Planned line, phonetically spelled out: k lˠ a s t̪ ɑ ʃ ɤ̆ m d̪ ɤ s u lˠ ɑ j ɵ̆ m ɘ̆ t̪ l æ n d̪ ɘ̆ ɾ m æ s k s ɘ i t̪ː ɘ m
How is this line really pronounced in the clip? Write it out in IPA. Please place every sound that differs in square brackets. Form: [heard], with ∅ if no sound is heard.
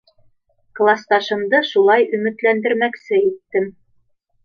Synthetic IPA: k lˠ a s t̪ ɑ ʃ ɤ̆ m d̪ ɤ [ʃ] u lˠ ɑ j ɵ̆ m ɘ̆ t̪ l æ n d̪ ɘ̆ ɾ m æ [∅] k s ɘ i t̪ː ɘ m